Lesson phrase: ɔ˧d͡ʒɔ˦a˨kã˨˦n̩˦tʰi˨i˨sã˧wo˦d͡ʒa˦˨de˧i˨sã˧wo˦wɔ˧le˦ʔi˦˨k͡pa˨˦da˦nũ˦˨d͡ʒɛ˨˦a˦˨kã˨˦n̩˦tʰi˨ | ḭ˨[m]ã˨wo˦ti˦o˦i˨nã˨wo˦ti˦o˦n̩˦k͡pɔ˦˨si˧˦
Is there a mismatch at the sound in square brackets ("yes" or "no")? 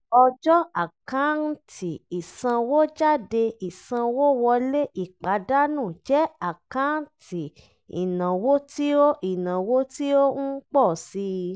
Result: yes